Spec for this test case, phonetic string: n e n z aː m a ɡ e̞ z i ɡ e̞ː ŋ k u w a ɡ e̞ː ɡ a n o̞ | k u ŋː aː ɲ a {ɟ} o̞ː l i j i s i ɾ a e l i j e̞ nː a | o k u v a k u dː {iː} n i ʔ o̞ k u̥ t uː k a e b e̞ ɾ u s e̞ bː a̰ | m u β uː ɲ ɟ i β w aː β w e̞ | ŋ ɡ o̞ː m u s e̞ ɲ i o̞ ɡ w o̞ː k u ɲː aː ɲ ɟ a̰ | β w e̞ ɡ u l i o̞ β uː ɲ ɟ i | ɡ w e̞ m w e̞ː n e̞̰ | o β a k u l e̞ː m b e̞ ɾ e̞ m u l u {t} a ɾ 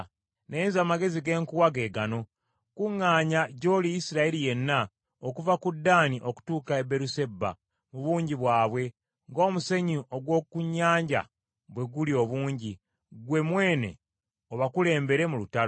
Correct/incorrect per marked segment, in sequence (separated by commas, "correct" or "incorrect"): correct, incorrect, correct